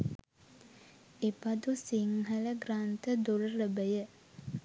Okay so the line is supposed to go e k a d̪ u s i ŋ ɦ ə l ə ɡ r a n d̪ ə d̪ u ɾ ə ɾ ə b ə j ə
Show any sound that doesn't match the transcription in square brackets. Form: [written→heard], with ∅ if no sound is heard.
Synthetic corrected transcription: e [k→p] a d̪ u s i ŋ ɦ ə l ə ɡ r a n [d̪→t̪] ə d̪ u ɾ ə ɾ ə b ə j ə